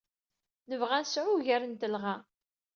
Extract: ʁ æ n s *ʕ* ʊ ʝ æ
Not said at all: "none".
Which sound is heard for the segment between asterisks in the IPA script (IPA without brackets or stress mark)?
ʕ